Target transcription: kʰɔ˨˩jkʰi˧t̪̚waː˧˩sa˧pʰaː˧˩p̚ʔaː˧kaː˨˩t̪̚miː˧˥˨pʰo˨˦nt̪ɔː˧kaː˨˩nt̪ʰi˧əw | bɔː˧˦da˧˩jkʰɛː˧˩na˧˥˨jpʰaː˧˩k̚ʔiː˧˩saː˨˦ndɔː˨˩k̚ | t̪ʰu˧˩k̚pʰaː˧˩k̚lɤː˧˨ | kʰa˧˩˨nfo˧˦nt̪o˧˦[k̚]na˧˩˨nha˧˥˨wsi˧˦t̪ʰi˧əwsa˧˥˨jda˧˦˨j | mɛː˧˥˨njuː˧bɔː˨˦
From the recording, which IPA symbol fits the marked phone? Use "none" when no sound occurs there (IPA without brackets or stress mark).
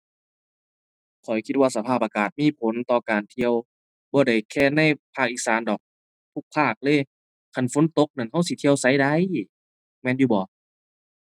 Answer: k̚